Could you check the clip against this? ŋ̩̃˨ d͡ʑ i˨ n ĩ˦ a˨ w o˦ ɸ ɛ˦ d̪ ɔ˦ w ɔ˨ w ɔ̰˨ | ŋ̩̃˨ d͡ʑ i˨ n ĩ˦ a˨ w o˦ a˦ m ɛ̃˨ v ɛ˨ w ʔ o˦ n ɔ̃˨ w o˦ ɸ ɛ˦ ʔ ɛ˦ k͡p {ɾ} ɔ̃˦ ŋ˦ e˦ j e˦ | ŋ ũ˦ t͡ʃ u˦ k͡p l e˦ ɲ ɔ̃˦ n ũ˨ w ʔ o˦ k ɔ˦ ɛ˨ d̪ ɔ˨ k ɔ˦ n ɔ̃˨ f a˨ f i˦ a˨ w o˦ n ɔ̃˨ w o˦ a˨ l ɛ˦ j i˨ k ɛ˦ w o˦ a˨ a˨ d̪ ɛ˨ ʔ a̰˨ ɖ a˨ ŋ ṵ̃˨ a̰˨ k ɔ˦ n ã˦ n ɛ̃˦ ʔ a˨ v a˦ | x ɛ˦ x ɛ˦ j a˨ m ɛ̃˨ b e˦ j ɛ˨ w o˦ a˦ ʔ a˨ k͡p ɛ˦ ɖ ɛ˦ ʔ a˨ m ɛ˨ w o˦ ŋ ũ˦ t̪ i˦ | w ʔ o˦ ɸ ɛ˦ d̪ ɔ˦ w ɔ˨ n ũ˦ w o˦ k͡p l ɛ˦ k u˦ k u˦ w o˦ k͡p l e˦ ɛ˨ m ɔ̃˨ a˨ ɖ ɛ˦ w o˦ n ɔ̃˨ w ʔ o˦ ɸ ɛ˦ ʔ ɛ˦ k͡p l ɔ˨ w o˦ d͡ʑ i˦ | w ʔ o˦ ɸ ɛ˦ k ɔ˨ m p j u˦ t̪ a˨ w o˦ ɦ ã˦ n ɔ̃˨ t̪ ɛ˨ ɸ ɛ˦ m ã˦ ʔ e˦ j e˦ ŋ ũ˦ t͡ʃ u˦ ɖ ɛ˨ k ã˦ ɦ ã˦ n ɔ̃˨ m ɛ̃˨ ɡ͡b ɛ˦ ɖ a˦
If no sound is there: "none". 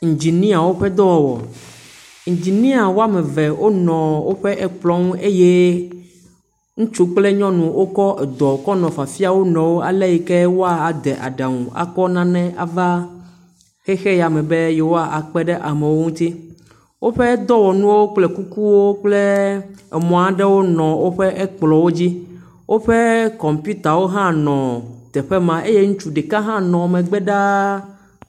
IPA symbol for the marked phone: l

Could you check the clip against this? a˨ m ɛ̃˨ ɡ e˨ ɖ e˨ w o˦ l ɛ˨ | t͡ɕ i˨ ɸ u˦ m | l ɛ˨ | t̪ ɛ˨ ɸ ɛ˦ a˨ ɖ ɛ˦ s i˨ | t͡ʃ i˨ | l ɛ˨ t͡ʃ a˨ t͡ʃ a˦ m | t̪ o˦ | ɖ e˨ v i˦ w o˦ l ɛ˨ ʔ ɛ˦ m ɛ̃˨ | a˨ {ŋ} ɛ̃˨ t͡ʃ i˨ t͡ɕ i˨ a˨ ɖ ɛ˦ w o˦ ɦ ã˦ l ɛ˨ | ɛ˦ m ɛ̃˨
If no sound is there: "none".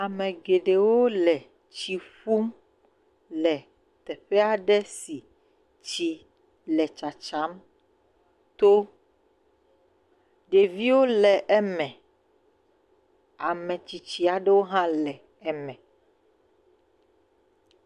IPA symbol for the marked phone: m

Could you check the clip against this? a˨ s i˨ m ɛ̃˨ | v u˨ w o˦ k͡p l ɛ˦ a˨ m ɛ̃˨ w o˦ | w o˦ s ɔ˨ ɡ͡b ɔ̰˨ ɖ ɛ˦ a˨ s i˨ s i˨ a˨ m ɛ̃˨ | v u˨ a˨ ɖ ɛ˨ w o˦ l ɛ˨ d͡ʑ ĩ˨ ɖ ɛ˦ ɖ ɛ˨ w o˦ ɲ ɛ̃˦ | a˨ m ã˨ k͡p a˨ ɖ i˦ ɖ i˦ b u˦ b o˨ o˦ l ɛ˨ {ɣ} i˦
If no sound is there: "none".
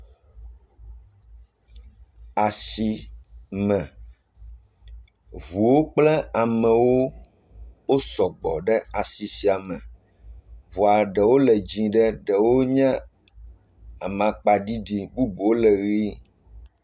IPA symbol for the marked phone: ɣ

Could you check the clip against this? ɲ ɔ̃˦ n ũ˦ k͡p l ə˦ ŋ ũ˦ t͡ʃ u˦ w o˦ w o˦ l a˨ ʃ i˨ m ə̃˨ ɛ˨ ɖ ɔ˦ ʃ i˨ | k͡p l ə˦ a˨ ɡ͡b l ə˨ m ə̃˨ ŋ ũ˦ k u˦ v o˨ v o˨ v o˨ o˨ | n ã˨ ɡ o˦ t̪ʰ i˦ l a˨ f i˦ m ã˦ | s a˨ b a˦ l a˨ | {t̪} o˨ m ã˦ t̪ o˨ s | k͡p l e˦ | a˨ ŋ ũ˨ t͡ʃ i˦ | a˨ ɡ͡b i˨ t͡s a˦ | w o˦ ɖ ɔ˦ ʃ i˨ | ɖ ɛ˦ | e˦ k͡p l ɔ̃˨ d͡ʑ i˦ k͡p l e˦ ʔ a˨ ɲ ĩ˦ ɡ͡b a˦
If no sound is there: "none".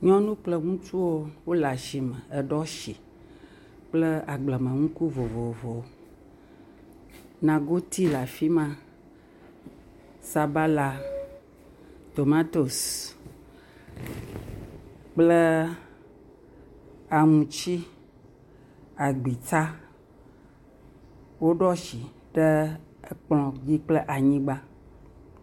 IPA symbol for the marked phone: t̪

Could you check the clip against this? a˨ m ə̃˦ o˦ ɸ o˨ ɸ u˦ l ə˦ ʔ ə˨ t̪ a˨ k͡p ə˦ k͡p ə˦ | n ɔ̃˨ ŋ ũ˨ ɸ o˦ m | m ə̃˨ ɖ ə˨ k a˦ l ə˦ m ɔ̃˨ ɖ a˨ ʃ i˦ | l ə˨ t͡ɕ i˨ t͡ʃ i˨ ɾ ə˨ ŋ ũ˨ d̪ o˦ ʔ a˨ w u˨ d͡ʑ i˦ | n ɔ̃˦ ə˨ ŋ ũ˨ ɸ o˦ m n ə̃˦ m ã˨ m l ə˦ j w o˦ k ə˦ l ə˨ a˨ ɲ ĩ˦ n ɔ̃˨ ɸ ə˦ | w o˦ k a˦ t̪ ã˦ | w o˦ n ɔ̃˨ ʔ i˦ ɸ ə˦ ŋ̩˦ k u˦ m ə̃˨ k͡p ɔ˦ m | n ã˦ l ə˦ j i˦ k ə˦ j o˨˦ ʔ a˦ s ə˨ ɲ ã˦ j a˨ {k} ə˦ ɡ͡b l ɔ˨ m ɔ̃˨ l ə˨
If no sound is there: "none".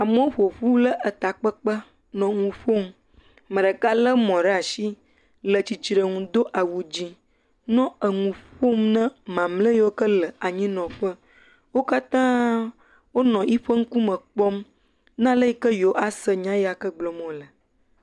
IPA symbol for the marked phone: k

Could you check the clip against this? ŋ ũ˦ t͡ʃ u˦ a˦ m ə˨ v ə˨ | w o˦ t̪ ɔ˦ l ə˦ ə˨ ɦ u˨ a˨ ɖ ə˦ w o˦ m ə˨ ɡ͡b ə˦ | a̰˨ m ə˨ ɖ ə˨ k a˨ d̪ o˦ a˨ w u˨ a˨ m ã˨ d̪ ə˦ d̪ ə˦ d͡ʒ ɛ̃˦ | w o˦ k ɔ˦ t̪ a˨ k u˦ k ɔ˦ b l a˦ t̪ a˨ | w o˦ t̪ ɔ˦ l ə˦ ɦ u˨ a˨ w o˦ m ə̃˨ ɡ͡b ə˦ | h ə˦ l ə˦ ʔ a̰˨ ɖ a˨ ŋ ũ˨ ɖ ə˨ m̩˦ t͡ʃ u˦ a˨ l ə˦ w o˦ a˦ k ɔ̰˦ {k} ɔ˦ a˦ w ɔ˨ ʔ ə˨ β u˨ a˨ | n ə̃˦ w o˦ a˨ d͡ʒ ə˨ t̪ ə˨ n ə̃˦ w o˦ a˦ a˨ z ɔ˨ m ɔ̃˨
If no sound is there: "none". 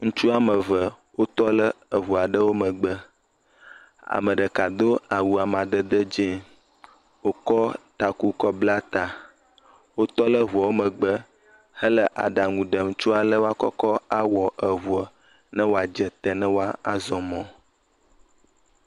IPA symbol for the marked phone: k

